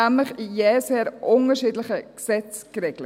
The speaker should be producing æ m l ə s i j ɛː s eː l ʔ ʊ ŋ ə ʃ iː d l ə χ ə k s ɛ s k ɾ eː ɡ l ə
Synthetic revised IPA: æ m l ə χ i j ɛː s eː ɾ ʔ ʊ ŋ ə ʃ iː d l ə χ ə k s ɛ t͡s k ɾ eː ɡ l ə